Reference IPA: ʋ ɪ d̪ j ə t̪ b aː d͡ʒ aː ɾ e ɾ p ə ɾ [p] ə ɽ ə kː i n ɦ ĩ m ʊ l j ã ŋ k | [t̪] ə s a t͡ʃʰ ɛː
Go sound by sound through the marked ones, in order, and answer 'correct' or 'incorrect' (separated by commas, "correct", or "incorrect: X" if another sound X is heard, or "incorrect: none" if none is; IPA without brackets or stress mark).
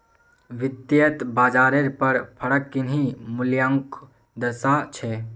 incorrect: pʰ, incorrect: d̪